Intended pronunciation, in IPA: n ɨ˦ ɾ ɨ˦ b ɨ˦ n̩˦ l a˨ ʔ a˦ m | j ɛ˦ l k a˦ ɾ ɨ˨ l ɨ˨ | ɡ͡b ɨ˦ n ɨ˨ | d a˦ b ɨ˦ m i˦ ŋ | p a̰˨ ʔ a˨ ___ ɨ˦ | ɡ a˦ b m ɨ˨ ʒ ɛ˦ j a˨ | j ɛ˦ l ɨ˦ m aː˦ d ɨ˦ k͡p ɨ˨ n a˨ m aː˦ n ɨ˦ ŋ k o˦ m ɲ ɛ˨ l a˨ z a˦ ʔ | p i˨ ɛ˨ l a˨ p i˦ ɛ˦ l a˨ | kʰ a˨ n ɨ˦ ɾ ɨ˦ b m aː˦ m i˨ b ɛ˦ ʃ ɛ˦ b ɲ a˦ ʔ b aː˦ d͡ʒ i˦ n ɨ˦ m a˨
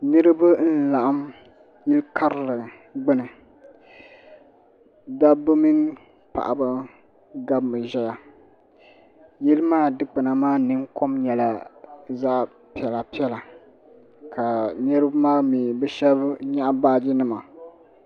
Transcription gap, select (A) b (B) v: A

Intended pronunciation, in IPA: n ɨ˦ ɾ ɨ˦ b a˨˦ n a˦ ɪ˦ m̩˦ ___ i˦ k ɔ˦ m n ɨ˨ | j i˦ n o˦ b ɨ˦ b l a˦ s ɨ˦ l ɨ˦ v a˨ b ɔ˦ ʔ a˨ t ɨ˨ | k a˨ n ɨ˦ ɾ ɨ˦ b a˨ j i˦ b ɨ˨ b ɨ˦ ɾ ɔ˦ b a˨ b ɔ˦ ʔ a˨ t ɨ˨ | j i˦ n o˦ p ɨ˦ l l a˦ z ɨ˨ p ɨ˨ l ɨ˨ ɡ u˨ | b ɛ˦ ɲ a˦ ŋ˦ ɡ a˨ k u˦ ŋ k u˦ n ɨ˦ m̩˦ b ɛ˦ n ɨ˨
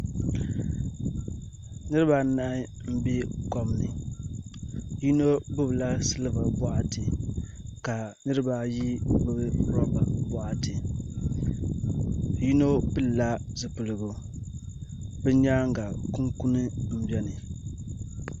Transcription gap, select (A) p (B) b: B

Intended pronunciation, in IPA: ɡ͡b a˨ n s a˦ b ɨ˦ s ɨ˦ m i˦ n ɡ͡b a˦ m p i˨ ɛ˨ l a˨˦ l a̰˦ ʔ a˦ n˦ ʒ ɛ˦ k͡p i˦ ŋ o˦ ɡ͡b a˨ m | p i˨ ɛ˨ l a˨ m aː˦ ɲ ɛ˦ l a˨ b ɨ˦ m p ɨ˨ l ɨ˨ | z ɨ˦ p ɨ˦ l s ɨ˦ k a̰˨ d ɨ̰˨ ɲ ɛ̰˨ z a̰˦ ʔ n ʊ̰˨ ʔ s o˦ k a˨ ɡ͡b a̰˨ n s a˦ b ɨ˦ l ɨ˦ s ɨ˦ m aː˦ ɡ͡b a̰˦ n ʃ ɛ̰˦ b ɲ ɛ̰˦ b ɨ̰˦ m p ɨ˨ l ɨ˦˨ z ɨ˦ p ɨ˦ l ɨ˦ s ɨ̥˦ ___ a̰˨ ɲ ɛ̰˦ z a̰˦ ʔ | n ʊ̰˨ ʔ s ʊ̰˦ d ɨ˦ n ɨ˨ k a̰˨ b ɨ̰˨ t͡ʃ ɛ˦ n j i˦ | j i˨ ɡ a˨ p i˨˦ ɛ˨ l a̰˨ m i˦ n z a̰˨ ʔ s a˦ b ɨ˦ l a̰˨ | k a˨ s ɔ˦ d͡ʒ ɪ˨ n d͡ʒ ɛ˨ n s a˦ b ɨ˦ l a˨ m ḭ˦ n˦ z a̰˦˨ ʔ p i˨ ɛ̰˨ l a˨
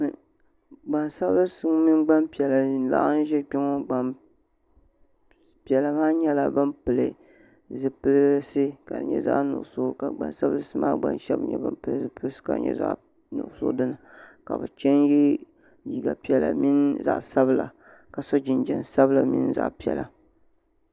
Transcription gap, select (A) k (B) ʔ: A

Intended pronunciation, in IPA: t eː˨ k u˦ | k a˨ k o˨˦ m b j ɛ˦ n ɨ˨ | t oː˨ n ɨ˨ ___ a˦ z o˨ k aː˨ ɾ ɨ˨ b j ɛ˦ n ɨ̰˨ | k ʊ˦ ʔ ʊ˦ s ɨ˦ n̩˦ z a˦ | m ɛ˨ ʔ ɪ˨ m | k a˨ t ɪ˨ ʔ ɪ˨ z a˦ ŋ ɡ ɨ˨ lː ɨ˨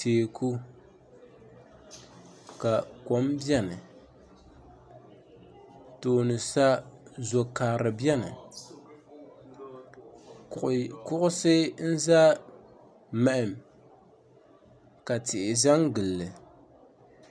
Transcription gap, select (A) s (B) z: A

